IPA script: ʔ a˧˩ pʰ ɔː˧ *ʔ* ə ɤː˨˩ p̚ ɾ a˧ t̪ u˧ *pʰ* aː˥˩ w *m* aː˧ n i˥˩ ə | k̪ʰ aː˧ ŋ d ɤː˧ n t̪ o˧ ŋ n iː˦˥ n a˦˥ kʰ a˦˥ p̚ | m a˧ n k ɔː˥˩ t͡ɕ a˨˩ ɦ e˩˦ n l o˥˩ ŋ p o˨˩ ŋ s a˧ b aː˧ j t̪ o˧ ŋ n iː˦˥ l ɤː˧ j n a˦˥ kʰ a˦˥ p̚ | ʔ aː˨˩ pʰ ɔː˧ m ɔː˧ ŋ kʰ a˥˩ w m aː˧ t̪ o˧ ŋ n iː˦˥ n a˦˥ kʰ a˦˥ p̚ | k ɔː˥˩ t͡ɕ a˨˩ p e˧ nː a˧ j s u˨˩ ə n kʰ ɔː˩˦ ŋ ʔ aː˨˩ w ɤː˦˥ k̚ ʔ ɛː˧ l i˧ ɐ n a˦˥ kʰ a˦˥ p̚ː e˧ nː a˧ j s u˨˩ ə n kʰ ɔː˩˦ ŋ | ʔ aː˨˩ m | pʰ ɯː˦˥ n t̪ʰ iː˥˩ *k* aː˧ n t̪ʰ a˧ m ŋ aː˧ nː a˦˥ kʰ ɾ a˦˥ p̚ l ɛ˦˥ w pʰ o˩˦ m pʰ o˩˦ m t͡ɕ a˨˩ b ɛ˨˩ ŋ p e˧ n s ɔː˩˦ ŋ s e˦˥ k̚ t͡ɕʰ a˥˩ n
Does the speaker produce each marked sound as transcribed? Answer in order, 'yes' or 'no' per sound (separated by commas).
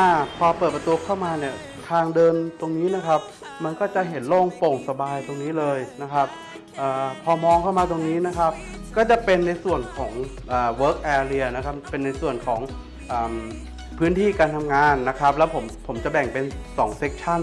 no, no, yes, yes